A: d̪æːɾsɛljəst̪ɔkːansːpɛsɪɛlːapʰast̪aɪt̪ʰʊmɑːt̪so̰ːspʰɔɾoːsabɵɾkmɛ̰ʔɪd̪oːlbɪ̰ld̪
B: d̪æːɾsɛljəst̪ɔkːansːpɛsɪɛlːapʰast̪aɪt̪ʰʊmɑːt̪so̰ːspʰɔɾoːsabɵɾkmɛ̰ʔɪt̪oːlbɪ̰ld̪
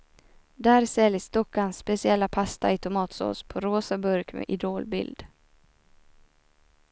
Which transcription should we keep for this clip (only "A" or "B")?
A